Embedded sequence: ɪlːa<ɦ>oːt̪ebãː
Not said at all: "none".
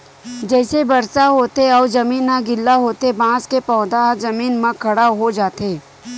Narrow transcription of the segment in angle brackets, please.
ɦ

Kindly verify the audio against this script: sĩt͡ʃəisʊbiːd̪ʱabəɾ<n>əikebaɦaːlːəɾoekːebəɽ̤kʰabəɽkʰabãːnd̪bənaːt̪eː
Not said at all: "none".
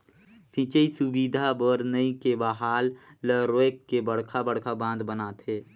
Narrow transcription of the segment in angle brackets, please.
n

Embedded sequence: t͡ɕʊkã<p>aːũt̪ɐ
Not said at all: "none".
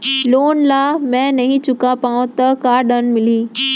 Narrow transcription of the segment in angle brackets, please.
p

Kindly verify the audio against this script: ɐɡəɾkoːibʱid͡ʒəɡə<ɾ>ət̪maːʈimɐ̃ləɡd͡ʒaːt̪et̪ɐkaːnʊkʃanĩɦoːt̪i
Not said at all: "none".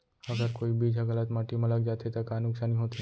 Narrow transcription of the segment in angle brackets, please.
l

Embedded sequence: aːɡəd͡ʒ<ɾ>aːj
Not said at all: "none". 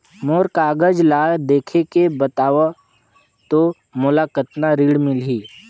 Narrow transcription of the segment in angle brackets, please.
l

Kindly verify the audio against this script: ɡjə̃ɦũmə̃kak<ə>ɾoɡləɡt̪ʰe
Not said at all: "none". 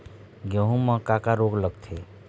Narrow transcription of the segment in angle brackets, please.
a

